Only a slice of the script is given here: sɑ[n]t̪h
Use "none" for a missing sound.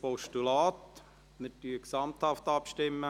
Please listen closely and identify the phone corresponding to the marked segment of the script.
m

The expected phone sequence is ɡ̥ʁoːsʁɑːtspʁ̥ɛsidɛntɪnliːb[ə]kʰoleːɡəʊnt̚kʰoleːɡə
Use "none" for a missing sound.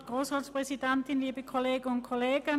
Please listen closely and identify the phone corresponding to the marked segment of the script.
ə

